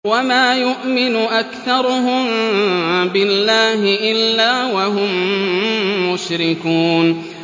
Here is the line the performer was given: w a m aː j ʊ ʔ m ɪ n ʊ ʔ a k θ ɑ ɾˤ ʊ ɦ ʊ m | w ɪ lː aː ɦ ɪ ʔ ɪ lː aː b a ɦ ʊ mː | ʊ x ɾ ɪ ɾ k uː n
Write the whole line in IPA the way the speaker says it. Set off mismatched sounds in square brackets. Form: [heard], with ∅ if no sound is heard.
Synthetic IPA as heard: w a m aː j ʊ ʔ m ɪ n ʊ ʔ a k θ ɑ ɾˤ ʊ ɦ ʊ m | [b] ɪ lː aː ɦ ɪ ʔ ɪ lː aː [w] a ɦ ʊ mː | ʊ [ʃ] ɾ ɪ [∅] k uː n